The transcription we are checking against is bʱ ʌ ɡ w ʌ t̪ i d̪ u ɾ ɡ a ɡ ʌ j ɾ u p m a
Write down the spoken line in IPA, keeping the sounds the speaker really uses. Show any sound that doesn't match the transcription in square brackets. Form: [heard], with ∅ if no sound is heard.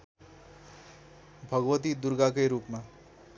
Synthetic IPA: bʱ ʌ ɡ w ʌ t̪ i d̪ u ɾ ɡ a [k] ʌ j ɾ u p m a